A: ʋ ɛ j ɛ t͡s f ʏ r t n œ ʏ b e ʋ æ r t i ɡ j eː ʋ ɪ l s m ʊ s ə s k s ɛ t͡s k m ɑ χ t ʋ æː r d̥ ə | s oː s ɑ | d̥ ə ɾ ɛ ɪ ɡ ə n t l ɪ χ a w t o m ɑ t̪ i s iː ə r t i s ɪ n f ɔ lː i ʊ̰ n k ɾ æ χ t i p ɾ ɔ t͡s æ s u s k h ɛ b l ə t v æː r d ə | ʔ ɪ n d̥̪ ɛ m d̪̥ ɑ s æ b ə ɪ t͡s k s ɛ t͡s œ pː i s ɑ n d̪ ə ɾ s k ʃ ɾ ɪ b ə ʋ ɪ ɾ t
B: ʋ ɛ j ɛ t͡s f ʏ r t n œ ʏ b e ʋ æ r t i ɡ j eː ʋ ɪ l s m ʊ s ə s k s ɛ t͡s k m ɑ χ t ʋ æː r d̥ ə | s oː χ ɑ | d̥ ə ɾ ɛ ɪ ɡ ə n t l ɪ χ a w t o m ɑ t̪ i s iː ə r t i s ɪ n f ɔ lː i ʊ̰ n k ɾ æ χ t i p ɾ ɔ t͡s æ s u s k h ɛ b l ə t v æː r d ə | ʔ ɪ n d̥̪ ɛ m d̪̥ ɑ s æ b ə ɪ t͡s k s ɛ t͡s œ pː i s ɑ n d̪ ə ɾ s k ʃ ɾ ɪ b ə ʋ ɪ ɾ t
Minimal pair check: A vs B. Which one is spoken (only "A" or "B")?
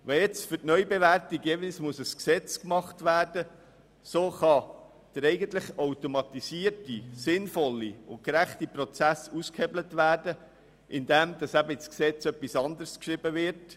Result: B